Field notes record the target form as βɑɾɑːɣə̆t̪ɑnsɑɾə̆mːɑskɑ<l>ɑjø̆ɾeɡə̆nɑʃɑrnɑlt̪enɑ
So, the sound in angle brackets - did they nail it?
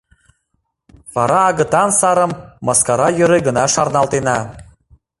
no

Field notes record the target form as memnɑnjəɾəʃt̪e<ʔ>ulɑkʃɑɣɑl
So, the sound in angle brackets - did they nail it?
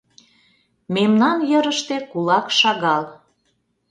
no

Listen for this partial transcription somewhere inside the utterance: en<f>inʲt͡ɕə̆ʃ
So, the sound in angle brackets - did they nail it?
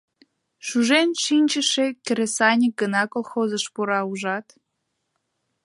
no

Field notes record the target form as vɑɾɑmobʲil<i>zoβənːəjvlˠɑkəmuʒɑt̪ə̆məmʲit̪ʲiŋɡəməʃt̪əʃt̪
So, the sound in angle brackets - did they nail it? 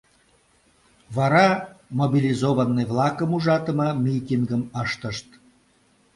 yes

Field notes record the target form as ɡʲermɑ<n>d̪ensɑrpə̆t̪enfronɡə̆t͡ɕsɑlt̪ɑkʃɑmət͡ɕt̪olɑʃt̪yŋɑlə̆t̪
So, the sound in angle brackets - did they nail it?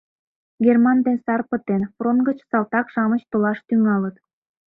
yes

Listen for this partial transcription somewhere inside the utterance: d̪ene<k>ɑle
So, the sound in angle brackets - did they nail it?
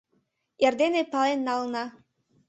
no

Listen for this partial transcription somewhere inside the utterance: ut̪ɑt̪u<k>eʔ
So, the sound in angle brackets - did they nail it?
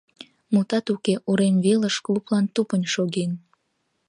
yes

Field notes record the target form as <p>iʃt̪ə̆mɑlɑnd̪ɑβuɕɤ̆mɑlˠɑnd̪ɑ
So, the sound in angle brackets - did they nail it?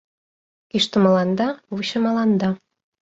no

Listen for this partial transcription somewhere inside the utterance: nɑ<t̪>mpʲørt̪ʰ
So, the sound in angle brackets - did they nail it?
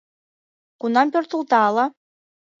no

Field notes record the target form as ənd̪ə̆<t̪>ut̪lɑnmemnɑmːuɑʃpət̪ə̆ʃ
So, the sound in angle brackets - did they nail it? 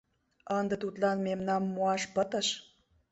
yes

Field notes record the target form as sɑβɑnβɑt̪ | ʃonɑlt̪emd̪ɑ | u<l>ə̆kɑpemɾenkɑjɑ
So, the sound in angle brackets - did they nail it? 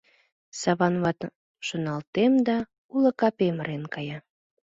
yes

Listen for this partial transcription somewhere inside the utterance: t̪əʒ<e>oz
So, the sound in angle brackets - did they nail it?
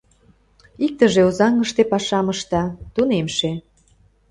yes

